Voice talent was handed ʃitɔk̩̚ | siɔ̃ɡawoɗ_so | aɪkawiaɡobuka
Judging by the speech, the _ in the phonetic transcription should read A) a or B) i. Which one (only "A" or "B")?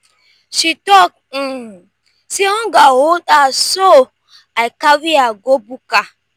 A